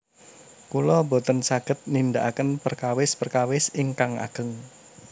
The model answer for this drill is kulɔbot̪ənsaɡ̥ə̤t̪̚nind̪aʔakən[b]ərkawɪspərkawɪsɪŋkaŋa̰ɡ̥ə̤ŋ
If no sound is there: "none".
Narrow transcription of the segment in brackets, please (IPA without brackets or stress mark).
p